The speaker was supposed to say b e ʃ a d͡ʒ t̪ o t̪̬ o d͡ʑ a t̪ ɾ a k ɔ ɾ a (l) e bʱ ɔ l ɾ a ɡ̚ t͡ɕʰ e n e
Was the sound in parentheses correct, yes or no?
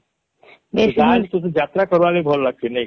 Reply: yes